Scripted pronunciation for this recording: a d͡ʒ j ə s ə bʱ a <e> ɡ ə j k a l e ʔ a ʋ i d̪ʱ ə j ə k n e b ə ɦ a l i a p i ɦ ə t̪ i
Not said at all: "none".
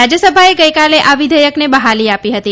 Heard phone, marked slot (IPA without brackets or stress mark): e